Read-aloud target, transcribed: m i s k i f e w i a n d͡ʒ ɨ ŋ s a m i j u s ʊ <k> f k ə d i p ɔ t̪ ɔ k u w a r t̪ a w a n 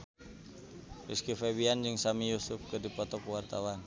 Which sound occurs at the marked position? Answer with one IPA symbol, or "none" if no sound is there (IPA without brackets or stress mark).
none